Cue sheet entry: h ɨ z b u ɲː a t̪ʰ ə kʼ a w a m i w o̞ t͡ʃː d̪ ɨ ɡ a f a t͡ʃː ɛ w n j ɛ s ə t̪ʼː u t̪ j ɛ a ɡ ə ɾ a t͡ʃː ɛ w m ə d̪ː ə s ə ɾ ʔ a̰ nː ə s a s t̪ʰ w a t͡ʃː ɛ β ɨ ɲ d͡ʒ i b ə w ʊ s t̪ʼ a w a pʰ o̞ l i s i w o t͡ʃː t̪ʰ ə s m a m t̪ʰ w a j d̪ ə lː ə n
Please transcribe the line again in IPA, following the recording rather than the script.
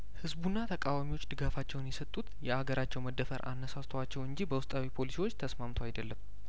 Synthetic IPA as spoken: h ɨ z b u nː a t̪ʰ ə kʼ a w a m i w o̞ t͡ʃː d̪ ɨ ɡ a f a t͡ʃː ɛ w n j ɛ s ə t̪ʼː u t̪ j ɛ a ɡ ə ɾ a t͡ʃː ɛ w m ə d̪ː ə f ə ɾ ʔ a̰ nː ə s a s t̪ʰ w a t͡ʃː ɛ w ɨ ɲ d͡ʒ i b ə w ʊ s t̪ʼ a w i pʰ o̞ l i s i w o t͡ʃː t̪ʰ ə s m a m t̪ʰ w a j d̪ ə lː ə m

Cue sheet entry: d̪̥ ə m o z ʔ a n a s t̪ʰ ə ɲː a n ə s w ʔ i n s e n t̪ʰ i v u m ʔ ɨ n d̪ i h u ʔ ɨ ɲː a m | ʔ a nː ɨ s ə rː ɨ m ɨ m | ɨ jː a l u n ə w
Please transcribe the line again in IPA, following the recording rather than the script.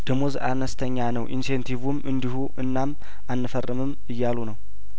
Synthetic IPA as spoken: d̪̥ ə m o z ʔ a n ə s t̪ʰ ə ɲː a n ə w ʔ i n s e n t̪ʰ i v u m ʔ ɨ n d̪ i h u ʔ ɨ nː a m | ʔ a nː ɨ f ə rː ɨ m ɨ m | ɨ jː a l u n ə w

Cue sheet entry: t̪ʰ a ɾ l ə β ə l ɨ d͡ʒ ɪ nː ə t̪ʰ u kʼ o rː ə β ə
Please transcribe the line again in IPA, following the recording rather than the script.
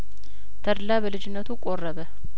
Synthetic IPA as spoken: t̪ʰ ə ɾ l a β ə l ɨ d͡ʒ ɪ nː ə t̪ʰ u kʼ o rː ə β ə

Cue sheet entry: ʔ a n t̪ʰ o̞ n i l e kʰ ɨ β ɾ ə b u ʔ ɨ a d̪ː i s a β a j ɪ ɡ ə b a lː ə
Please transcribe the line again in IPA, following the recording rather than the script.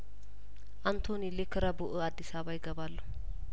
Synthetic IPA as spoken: ʔ a n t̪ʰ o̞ n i l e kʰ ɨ ɾ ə b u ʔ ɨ a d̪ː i s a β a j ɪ ɡ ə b a lː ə

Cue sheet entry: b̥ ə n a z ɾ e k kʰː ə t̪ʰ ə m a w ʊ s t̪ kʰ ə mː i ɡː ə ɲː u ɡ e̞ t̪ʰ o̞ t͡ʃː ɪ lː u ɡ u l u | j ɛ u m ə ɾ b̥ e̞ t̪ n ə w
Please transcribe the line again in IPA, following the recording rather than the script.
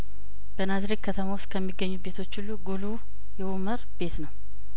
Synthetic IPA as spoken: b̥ ə n a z ɾ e k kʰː ə t̪ʰ ə m a w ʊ s t̪ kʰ ə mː i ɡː ə ɲː u b e̞ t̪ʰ o̞ t͡ʃː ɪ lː u ɡ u l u | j ɛ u m ə ɾ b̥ e̞ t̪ n ə w

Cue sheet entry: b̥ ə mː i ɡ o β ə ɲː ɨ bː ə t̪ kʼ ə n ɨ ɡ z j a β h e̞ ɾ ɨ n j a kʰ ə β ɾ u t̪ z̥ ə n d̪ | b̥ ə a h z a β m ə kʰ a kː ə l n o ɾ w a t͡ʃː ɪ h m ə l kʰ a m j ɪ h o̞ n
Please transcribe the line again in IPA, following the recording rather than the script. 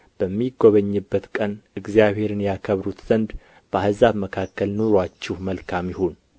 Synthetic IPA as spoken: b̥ ə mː i ɡ o β ə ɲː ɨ bː ə t̪ kʼ ə n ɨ ɡ z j a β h e̞ ɾ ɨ n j a kʰ ə β ɾ u t̪ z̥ ə n d̪ | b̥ ə a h z a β m ə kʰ a kː ə l n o ɾ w a t͡ʃː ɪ h m ə l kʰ a m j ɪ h o̞ n

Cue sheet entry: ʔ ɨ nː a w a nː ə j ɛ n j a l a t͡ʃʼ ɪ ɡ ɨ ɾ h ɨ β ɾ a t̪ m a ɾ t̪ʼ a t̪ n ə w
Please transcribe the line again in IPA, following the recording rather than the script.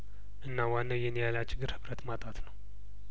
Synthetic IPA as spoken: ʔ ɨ nː a w a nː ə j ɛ n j a l a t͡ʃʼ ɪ ɡ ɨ ɾ h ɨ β ɾ ə t̪ m a t̪ʼ a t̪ n ə w

